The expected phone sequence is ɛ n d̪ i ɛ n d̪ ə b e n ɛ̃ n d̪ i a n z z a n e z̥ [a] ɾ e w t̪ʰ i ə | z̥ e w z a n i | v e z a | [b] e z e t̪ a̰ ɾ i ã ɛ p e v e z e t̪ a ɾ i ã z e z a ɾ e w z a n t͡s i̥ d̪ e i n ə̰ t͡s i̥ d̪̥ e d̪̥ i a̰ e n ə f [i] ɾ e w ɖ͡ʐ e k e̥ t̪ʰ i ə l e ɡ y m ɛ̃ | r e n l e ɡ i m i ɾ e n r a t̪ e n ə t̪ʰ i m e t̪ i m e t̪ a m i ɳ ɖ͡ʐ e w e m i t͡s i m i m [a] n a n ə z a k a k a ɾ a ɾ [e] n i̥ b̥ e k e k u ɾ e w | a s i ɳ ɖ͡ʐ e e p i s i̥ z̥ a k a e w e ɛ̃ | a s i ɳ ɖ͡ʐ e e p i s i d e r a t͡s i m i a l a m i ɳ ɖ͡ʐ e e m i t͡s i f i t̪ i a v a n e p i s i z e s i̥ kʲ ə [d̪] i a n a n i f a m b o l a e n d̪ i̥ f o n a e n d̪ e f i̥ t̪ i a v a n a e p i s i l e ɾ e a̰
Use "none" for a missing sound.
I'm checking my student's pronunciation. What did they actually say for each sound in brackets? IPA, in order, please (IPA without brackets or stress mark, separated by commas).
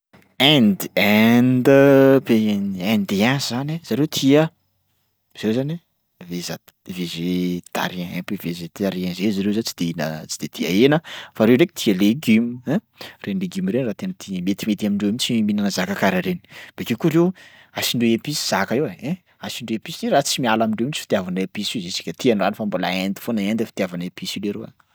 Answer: a, v, a, i, e, t̪